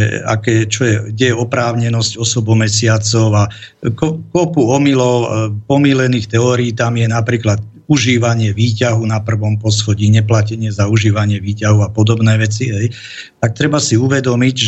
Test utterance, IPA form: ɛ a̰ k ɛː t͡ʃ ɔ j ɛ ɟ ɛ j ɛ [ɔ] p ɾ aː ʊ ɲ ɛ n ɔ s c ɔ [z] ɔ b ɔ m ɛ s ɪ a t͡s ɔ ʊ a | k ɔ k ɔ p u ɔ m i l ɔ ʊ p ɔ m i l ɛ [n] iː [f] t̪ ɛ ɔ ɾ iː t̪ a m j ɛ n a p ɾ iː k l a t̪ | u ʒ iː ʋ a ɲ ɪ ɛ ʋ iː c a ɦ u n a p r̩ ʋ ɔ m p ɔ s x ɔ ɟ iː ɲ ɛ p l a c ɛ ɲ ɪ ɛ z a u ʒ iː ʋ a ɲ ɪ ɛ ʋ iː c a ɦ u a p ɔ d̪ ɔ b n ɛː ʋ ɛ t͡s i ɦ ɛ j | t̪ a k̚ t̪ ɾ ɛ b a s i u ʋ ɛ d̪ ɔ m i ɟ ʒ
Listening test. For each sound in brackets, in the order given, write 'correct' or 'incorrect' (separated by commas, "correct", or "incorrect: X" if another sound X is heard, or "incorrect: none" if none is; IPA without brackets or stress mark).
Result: correct, incorrect: s, correct, incorrect: x